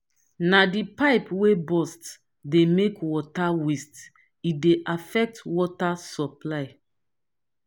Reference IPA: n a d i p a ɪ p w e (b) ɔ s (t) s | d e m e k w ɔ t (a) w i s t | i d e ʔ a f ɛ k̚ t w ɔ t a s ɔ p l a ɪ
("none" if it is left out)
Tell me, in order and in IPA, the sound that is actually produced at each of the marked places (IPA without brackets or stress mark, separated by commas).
b, t, a